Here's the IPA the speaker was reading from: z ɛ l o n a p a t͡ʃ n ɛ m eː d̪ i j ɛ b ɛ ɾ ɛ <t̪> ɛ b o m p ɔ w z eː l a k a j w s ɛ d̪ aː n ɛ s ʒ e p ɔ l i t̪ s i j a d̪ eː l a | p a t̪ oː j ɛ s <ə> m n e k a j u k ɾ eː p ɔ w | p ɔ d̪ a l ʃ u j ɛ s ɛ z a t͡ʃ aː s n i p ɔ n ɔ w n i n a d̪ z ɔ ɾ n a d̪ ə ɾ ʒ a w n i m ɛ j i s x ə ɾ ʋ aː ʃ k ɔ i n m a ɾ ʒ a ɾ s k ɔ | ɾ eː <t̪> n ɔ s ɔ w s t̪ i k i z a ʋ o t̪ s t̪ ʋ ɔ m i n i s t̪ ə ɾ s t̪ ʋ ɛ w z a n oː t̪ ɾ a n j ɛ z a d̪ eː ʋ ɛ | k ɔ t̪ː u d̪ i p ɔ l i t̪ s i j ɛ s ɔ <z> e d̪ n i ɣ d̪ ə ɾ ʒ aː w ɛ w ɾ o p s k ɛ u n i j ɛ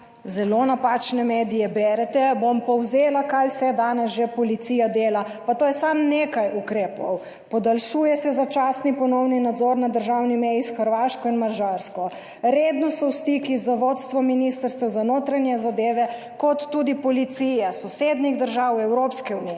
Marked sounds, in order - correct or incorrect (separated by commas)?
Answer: correct, incorrect, incorrect, incorrect